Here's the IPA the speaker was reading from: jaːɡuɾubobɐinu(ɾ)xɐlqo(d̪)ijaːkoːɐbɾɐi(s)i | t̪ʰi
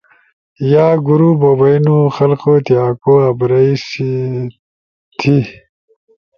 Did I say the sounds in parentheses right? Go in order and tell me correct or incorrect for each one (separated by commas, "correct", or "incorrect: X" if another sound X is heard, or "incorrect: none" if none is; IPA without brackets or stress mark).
incorrect: none, incorrect: t̪, correct